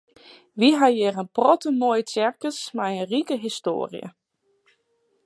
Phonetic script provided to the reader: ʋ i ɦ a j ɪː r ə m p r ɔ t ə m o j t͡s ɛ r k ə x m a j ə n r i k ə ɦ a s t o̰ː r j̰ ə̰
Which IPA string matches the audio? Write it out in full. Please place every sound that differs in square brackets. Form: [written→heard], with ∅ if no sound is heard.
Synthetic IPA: ʋ i ɦ a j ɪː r ə [m→n] p r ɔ t ə m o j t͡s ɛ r k ə [x→s] m a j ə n r i k ə ɦ [a→i] s t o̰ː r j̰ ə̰